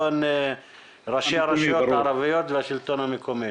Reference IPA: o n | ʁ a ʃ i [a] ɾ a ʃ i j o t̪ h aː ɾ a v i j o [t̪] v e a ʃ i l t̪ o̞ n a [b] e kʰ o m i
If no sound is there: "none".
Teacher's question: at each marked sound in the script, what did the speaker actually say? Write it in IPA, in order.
a, t̪, m

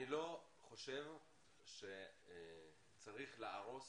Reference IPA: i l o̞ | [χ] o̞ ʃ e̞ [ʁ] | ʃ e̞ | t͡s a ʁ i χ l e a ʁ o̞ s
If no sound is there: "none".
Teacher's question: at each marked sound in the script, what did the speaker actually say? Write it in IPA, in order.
χ, v

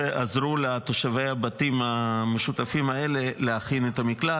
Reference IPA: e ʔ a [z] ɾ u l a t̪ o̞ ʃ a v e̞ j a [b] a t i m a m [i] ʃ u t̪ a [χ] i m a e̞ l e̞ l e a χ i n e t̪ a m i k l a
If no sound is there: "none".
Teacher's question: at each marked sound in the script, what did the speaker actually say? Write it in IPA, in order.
z, b, e, f

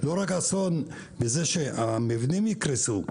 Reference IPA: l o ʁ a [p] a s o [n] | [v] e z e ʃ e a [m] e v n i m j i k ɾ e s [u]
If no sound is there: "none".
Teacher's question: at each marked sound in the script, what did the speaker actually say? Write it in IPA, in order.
k, n, b, m, u

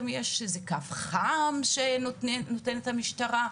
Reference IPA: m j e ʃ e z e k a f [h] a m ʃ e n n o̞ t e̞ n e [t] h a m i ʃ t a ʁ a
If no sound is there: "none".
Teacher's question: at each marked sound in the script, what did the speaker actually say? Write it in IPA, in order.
χ, t

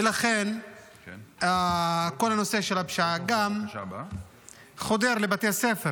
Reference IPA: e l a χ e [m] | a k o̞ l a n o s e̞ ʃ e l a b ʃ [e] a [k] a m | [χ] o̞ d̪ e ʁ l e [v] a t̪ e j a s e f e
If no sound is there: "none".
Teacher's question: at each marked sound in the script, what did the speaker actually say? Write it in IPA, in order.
n, a, ɡ, χ, b

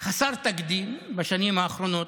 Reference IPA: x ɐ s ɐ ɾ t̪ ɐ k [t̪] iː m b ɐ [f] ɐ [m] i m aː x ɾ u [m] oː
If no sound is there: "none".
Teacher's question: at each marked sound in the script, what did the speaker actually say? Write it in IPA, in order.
d̪, ʃ, n, n

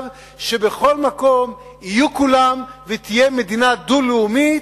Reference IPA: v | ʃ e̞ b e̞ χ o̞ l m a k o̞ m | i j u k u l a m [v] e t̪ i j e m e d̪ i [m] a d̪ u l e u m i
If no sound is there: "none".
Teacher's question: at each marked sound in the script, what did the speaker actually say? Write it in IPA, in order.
v, n

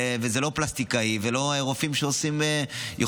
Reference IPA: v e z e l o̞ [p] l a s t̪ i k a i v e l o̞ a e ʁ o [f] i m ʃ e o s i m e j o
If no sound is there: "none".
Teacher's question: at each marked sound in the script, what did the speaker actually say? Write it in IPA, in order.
p, f

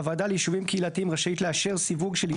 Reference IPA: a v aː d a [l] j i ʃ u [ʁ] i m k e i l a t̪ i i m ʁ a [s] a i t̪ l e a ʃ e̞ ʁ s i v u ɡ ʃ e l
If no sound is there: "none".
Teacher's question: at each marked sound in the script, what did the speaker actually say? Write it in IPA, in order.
l, v, ʃ

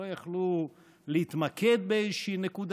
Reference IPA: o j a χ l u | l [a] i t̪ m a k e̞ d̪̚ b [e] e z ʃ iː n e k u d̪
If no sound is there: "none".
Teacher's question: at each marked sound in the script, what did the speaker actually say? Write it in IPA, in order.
e, e

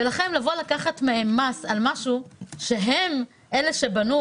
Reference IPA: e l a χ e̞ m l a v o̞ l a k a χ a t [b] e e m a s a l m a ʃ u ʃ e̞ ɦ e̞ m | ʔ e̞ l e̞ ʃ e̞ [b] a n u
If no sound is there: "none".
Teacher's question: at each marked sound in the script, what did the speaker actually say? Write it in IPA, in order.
m, b

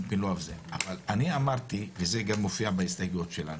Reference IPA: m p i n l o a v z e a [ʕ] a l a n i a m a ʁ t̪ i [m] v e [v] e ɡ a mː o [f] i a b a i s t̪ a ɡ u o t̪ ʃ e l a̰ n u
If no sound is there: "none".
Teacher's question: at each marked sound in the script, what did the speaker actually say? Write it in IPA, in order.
v, none, z, f

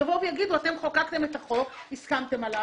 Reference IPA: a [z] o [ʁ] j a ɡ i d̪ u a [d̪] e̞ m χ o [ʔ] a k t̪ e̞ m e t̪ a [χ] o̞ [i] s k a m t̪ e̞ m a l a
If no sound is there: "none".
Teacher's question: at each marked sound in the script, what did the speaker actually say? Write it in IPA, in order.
v, v, t̪, k, χ, i

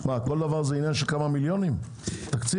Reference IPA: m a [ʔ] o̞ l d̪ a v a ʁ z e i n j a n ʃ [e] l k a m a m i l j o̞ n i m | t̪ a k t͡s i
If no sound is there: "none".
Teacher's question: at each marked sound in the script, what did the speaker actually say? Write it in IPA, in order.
k, e

